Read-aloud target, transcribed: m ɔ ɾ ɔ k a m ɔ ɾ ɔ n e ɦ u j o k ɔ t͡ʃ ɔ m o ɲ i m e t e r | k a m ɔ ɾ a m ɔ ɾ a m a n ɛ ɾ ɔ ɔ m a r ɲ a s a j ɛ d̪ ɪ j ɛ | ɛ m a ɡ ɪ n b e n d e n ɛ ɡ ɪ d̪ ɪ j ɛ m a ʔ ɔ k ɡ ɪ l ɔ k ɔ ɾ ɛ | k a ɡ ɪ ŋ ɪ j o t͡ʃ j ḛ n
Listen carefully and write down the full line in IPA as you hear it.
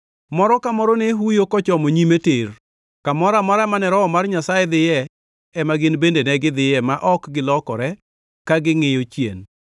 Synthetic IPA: m ɔ ɾ ɔ k a m ɔ ɾ ɔ n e ɦ u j o k ɔ t͡ʃ ɔ m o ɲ i m e t e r | k a m ɔ ɾ a m ɔ ɾ a m a n ɛ ɾ ɔ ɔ m a r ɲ a s a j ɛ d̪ ɪ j ɛ | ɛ m a ɡ ɪ n b e n d e n ɛ ɡ ɪ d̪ ɪ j ɛ m a ʔ ɔ k ɡ ɪ l ɔ k ɔ ɾ ɛ | k a ɡ ɪ ŋ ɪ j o t͡ʃ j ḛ n